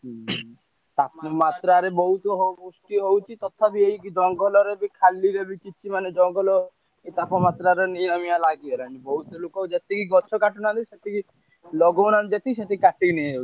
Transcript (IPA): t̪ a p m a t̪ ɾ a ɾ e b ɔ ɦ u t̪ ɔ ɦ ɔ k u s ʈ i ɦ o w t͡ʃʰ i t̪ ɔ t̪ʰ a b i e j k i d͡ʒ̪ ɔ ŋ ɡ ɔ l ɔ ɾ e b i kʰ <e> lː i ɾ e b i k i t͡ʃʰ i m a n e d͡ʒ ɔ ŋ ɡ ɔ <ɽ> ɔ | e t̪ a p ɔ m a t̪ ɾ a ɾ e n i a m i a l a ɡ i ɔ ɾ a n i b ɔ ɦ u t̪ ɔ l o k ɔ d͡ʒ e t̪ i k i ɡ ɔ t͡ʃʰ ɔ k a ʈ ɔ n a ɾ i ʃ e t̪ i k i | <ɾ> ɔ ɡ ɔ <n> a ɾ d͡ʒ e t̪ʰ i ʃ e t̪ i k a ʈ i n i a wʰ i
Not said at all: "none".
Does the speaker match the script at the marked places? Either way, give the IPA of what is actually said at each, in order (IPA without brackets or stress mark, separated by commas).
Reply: a, l, l, n